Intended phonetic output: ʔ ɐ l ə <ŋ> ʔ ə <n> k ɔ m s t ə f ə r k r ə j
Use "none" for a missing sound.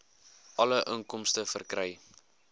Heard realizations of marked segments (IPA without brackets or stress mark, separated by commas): none, ŋ